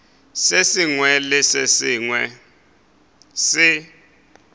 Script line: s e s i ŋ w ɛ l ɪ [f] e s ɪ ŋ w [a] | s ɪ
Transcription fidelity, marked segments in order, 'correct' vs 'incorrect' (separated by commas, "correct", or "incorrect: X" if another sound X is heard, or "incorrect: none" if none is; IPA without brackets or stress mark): incorrect: s, incorrect: ɛ